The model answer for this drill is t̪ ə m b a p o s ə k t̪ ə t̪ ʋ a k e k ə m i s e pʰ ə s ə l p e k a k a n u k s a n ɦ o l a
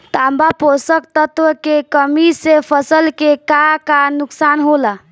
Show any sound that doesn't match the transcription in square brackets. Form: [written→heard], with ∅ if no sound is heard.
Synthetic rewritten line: t̪ [ə→a] m b a p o s ə k t̪ ə t̪ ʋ [a→ə] k e k ə m i s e pʰ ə s ə l [p→k] e k a k a n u k s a n ɦ o l a

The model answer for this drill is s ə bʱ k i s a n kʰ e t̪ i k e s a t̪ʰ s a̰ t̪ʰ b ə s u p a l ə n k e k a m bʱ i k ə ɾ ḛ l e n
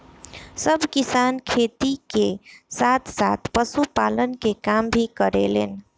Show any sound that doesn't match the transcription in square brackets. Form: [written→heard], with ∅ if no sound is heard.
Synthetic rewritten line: s ə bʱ k i s a n kʰ e t̪ i k e s a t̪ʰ s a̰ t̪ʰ [b→p] ə s u p a l ə n k e k a m bʱ i k ə ɾ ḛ l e n

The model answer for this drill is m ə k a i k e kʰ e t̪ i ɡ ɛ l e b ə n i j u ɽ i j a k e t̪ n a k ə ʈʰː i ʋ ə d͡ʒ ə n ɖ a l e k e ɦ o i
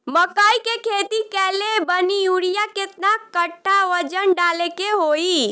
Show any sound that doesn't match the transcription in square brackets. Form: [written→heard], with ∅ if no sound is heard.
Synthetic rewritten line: m ə k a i k e kʰ e t̪ i [ɡ→k] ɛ l e b ə n i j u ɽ i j a k e t̪ n a k ə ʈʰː [i→a] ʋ ə d͡ʒ ə n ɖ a l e k e ɦ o i

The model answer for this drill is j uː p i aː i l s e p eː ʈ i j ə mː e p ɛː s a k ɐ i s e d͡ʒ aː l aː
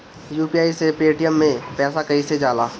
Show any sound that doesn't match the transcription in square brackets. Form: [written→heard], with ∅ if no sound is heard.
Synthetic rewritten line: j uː p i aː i [l→∅] s e p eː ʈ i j ə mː [e→ẽ] p ɛː s a k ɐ i s e d͡ʒ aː l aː

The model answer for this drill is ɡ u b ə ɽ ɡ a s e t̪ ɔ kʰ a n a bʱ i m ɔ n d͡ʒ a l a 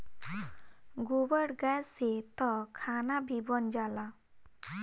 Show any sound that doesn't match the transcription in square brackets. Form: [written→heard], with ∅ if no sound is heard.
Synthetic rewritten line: ɡ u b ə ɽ ɡ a s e t̪ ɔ kʰ a n a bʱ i [m→b] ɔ n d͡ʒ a l a

